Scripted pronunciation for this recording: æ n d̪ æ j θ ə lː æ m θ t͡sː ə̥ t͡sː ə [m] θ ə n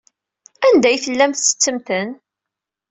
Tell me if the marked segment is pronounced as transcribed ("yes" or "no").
yes